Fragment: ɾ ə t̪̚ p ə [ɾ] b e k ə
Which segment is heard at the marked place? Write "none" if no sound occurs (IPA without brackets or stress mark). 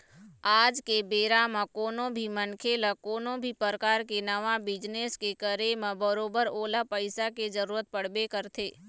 ɽ